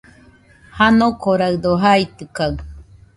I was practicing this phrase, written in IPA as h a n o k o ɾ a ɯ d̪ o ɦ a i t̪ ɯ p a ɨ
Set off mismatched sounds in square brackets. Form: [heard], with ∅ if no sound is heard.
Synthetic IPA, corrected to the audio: h a n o k o ɾ a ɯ d̪ o ɦ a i t̪ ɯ [k] a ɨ